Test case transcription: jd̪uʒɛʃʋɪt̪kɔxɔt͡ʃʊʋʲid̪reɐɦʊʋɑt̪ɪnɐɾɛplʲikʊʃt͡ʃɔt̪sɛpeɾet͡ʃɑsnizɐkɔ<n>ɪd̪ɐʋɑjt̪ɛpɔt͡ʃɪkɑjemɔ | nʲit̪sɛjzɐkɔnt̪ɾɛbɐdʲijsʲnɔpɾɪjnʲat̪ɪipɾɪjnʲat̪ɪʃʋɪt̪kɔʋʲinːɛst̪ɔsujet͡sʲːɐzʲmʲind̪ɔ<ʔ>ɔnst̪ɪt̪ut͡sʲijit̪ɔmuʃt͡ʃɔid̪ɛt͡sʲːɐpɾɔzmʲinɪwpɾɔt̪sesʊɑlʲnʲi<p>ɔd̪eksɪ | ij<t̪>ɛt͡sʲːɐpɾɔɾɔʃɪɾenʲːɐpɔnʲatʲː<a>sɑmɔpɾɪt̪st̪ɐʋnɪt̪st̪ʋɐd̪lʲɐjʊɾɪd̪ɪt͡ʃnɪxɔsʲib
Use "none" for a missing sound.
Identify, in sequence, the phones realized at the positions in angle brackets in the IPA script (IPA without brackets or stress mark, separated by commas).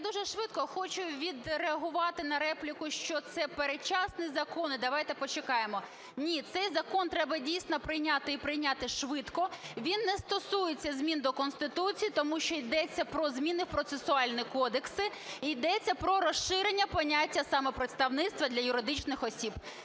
n, k, k, d̪, ɐ